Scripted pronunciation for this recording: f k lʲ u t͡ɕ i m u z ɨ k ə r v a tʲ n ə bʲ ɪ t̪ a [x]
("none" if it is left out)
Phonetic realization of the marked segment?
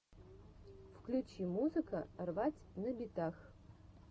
x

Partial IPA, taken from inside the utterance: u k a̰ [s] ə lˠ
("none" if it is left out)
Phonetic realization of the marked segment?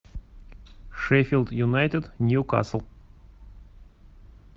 s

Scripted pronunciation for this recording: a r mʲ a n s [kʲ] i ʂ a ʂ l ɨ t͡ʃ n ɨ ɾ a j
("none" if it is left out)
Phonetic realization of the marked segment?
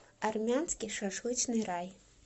kʲ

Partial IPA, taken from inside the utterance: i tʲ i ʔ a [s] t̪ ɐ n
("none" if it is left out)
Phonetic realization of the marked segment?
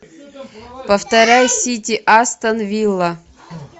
s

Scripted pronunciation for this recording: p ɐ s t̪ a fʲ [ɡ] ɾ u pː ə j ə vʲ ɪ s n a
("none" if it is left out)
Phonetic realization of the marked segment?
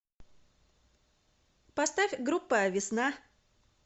ɡ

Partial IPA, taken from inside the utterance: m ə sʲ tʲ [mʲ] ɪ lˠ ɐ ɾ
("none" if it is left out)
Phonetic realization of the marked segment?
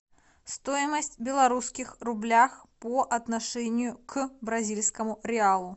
bʲ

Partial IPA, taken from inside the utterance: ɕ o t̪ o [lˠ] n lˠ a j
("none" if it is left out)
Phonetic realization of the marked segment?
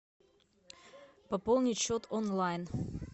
none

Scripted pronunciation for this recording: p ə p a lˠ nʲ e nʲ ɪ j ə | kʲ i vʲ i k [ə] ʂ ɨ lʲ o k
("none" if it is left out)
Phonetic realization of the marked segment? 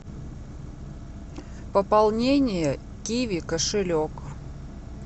ə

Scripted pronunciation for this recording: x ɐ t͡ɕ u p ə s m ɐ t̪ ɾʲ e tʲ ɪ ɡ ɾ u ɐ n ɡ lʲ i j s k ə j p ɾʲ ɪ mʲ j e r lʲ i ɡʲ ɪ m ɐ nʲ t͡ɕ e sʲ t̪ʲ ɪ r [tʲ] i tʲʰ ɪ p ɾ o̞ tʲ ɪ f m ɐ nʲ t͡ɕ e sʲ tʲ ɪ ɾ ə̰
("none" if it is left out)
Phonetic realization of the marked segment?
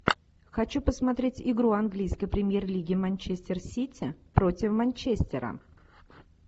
sʲ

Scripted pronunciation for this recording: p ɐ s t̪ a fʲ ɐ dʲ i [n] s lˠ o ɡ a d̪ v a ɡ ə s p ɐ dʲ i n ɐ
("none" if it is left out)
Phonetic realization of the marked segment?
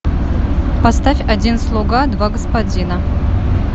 n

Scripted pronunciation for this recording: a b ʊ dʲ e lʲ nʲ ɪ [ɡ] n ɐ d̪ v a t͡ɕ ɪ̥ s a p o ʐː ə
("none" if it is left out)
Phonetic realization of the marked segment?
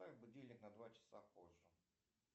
k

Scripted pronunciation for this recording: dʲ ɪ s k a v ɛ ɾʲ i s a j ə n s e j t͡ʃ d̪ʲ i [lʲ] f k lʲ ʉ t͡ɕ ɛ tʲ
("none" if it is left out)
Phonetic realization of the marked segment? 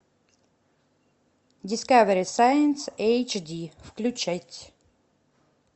none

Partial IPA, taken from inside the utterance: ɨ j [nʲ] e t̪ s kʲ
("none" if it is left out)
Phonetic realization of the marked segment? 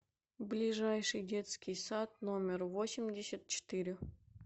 dʲ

